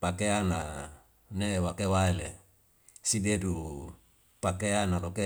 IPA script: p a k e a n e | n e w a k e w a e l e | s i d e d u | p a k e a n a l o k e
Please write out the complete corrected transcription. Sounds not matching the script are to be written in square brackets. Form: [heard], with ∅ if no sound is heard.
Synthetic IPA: p a k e a n [a] | n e w a k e w a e l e | s i d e d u | p a k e a n a l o k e